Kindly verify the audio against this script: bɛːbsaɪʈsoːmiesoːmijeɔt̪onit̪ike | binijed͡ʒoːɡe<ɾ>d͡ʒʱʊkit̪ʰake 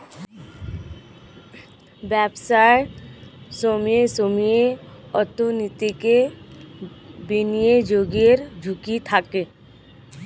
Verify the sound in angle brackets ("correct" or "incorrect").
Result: correct